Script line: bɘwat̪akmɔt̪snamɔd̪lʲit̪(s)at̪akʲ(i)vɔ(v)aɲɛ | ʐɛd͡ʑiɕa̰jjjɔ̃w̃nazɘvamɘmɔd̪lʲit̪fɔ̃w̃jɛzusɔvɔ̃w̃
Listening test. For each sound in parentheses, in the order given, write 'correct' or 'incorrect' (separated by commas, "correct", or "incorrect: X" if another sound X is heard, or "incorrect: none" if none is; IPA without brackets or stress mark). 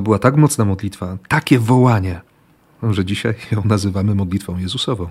incorrect: f, incorrect: ɛ, incorrect: w